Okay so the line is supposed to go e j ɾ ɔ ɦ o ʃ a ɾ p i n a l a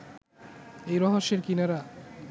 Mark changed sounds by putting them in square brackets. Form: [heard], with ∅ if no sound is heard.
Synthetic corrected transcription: e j ɾ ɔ ɦ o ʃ [e] ɾ [k] i n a [ɾ] a